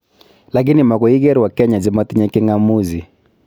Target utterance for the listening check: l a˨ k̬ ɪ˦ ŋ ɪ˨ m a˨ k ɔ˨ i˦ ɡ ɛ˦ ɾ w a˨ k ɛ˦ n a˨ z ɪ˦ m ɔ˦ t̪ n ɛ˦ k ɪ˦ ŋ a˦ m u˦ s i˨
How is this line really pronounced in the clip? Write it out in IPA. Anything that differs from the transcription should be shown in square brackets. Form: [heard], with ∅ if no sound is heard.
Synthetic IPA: l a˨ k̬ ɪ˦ [n] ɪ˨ m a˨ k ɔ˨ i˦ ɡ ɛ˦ ɾ w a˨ k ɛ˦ [ɲ] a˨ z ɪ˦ m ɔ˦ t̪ [ɲ] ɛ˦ k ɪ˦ ŋ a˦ m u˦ [z] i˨